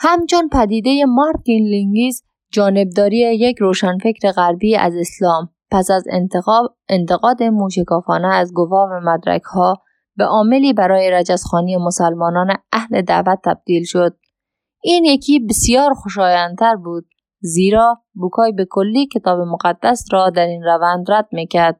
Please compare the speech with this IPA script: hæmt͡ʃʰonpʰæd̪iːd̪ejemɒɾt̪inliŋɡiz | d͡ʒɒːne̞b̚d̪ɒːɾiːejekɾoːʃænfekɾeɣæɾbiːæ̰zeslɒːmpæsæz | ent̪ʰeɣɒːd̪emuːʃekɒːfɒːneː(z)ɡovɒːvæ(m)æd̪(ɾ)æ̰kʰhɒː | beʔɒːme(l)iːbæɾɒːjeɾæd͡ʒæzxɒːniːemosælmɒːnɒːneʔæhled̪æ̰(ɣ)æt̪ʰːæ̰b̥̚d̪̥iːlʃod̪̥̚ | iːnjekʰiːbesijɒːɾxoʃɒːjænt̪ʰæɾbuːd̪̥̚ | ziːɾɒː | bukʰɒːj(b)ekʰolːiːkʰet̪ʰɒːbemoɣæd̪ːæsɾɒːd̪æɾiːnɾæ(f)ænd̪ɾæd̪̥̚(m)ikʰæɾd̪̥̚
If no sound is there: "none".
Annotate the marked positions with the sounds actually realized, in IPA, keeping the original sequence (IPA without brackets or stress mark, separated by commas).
z, m, ɾ, l, v, b, v, m